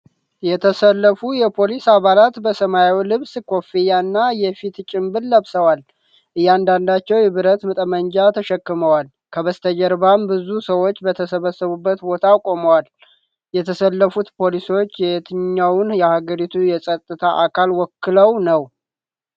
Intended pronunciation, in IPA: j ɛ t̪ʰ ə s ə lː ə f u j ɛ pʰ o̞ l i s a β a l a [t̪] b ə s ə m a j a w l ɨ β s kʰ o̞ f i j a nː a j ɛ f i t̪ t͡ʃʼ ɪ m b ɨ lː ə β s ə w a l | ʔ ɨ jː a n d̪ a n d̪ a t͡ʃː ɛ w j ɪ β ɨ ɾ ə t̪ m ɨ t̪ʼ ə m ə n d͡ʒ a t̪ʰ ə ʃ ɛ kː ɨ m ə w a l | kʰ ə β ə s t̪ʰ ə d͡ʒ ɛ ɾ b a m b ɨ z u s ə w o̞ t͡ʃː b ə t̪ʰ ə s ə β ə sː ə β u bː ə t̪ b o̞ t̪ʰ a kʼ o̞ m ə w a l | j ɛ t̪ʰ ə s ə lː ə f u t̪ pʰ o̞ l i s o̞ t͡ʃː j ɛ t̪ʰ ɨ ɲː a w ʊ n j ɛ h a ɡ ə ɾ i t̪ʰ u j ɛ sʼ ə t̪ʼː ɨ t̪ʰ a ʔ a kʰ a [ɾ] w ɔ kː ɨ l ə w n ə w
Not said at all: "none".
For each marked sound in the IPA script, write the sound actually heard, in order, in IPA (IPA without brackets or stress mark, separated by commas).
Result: t̪, l